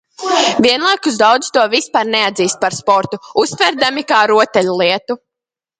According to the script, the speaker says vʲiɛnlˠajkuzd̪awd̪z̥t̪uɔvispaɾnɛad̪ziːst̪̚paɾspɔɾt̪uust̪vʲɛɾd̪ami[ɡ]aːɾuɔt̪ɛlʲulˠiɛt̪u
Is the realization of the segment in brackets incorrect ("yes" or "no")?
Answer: yes